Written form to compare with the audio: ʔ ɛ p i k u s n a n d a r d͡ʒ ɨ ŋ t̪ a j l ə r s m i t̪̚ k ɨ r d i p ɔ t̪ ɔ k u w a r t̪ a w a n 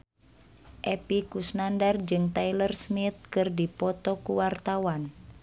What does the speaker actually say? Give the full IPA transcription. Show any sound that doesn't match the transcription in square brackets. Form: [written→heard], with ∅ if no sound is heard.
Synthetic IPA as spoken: ʔ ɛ p i k u s n a n d a r d͡ʒ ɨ ŋ t̪ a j l ə r s m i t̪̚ k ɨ r d i p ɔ t̪ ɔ k u w a r t̪ a w a n